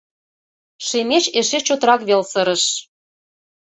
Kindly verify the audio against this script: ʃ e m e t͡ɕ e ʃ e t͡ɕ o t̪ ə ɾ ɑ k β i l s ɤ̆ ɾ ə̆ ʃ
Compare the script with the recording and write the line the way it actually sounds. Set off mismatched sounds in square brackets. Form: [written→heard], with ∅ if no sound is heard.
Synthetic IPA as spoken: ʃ e m e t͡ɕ e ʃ e t͡ɕ o t̪ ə ɾ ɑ k β [i→e] l s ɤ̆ ɾ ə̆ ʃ